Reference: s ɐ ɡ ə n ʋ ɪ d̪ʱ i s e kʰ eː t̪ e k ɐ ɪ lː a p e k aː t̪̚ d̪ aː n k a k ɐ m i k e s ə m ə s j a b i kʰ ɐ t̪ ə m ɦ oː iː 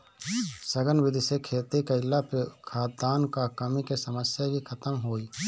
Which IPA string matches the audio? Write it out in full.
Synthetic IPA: s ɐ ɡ ə n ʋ ɪ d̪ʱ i s e kʰ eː t̪ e k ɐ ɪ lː a p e kʰ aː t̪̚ d̪ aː n k a k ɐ m i k e s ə m ə s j a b i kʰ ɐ t̪ ə m ɦ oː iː